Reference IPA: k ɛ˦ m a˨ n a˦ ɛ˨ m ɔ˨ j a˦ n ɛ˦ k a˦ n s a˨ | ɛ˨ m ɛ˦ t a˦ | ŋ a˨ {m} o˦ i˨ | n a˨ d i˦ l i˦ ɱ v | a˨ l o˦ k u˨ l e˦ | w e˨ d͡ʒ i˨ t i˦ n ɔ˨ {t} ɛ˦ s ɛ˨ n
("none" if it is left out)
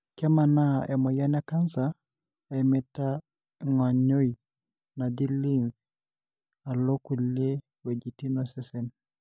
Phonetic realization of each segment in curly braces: ɲ, s

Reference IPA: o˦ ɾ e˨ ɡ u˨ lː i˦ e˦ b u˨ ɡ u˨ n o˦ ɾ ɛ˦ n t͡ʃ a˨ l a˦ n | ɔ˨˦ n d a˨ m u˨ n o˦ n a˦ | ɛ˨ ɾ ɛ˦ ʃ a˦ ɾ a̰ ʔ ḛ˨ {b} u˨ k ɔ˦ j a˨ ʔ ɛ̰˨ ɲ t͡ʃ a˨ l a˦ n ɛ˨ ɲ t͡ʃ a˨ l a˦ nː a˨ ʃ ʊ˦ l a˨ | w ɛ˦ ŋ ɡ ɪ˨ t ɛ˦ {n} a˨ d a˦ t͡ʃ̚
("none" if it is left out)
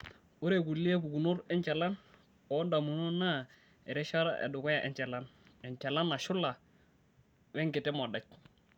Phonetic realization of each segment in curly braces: d, m

